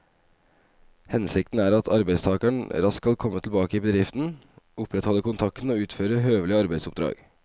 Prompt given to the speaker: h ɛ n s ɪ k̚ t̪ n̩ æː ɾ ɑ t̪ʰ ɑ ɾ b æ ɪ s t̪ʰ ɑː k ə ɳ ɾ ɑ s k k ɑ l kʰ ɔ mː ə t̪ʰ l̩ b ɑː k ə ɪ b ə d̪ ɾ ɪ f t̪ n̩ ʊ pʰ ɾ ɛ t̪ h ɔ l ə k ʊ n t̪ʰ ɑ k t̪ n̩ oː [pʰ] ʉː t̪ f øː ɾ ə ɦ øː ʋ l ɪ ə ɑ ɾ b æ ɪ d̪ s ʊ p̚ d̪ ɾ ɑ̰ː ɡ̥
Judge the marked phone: incorrect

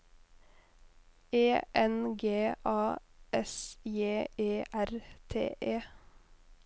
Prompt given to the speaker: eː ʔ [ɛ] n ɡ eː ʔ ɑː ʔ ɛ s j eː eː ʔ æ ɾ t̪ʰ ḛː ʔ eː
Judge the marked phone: correct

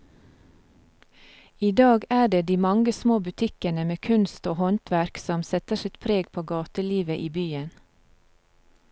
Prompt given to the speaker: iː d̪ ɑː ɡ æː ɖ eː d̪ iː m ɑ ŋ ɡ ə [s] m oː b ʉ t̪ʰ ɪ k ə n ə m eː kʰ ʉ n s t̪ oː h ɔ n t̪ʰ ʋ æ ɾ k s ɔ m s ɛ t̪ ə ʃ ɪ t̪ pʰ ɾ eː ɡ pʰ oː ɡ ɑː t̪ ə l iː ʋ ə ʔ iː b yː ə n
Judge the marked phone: correct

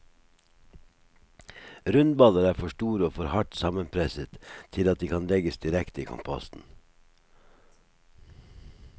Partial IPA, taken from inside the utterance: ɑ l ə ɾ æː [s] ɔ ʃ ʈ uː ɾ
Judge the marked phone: incorrect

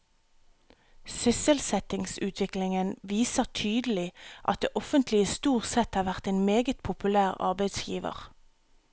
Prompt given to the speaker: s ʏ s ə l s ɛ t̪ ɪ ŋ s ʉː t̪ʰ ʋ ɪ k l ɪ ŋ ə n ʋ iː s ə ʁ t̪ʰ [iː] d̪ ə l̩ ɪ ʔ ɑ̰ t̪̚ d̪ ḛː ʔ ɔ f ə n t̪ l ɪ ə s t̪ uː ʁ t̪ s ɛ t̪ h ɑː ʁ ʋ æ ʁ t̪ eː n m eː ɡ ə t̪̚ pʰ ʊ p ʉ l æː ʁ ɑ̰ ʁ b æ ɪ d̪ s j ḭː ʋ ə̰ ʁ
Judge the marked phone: incorrect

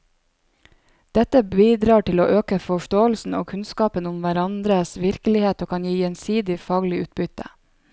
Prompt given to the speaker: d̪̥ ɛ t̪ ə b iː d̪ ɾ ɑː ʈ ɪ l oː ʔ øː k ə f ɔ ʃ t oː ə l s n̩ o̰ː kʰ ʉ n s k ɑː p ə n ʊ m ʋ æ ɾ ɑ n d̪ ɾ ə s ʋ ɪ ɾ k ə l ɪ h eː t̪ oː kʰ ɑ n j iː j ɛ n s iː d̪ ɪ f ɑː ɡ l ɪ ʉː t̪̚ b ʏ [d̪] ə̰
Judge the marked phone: incorrect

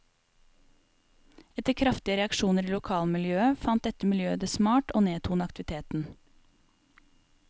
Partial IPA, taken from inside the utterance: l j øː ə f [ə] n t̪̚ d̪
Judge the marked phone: incorrect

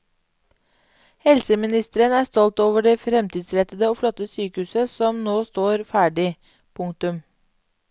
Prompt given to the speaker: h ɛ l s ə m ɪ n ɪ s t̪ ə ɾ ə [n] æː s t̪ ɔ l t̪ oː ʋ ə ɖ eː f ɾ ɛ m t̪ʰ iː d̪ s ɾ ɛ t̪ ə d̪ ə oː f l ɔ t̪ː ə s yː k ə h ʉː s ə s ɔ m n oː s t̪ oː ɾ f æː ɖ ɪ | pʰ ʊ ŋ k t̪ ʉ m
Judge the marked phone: correct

